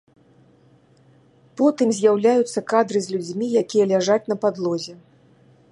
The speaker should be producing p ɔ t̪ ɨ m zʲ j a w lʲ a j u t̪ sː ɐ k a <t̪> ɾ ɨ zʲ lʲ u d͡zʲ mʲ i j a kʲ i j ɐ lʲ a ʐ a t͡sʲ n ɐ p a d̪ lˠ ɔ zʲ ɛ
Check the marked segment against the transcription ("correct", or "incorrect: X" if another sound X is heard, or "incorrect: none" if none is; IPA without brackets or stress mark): incorrect: d̪